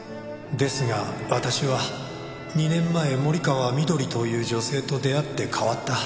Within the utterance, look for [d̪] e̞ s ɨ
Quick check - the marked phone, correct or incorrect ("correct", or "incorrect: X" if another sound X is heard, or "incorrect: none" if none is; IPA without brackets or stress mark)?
correct